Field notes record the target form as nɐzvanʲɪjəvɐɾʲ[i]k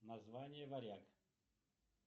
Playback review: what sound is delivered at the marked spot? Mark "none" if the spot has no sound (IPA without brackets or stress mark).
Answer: a